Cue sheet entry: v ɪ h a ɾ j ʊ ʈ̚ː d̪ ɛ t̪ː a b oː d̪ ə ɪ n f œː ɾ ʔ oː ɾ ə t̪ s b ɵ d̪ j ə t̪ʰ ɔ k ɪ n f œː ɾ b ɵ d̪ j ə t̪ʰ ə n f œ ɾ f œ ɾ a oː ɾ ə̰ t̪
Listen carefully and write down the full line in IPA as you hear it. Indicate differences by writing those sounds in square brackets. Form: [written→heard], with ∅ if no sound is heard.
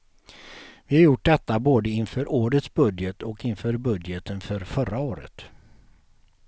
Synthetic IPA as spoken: v ɪ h a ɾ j ʊ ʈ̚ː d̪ ɛ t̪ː a b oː d̪ ə ɪ n f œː ɾ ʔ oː ɾ ə t̪ s b ɵ d̪ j ə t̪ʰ ɔ k ɪ n f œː ɾ b ɵ d̪ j ə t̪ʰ ə n f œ ɾ f œ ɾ a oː ɾ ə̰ t̪